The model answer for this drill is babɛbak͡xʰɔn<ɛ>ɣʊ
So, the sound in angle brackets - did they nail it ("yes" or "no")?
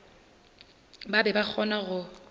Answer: no